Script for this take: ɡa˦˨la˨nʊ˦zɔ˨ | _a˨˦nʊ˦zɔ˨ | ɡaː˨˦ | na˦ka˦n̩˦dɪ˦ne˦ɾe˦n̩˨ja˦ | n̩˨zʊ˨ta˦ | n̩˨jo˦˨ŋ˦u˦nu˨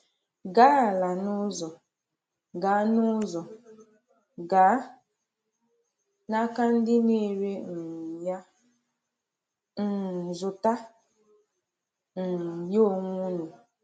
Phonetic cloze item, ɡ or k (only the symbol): ɡ